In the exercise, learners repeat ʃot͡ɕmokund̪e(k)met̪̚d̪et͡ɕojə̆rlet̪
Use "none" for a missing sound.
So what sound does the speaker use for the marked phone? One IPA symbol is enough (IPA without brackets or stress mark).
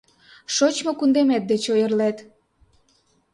none